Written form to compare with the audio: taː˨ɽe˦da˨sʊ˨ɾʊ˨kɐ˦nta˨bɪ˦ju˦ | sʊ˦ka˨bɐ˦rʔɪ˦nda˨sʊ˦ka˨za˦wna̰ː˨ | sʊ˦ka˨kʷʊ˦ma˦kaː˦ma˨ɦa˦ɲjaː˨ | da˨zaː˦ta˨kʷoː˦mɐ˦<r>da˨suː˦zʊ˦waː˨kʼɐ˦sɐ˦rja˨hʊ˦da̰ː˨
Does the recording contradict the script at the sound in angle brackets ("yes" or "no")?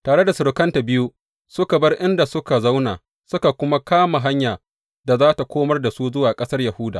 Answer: no